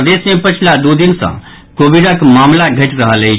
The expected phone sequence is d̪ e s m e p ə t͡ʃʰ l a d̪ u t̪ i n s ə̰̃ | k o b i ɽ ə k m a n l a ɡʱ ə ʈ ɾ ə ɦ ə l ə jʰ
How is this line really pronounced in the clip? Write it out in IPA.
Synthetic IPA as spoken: d̪ e s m e p ə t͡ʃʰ l a d̪ u d̪ i n s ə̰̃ | k o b i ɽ ə k m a m l a ɡʱ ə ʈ ɾ ə ɦ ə l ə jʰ